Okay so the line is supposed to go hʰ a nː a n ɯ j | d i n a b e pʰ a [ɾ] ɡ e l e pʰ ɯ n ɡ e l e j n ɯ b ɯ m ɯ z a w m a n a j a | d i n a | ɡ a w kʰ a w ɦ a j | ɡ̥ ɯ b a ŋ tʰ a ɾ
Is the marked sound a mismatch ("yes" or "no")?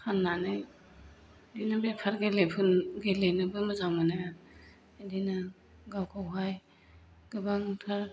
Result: no